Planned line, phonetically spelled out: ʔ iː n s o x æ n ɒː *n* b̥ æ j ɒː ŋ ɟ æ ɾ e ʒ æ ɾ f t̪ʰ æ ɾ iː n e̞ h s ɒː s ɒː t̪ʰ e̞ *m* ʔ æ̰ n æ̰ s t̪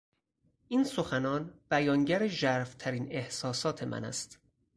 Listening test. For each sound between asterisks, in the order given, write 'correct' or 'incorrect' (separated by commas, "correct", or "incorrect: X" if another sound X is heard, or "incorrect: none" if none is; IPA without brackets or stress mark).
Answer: correct, correct